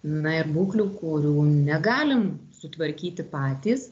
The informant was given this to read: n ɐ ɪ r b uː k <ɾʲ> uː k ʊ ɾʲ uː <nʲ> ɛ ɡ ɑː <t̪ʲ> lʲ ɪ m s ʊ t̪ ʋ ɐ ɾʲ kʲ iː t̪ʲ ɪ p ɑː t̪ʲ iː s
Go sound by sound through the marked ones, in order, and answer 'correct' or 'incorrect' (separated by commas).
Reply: incorrect, correct, incorrect